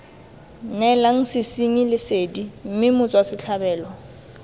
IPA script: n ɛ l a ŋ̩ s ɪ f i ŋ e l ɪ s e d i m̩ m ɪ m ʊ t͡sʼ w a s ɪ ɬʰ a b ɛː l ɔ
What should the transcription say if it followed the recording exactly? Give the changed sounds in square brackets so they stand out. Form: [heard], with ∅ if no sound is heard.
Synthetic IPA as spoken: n ɛ l a ŋ̩ s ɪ [s] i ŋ [i] l ɪ s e d i m̩ m ɪ m ʊ t͡sʼ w a s ɪ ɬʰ a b ɛː l ɔ